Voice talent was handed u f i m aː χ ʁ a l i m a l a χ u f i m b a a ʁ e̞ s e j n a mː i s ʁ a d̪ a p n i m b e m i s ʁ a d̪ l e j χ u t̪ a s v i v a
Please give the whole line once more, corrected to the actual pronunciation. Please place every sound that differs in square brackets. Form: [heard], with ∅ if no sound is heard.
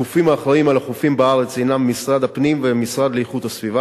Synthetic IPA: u f i m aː χ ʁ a [∅] i m a l a χ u f i m b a a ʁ e̞ [t͡s] e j n a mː i s ʁ a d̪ a p n i m [v] e m i s ʁ a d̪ l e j χ u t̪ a s v i v a